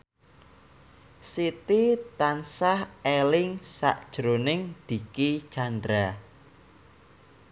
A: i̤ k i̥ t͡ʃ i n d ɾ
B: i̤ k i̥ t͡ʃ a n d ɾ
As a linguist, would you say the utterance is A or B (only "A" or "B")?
B